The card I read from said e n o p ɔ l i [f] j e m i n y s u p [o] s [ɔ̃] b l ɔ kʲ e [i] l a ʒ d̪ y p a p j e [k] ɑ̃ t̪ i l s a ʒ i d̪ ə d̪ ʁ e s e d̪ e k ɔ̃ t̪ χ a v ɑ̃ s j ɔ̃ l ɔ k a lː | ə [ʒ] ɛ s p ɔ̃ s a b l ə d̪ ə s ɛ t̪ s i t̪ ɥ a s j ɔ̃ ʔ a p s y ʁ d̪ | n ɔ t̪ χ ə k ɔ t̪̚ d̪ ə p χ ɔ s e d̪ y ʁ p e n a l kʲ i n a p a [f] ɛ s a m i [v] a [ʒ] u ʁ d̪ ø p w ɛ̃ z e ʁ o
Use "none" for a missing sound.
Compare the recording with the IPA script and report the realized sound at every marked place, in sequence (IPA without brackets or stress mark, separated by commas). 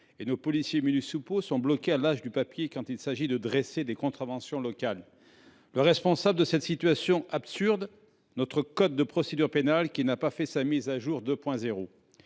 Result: s, o, ɔ̃, a, k, ʁ, f, z, ʒ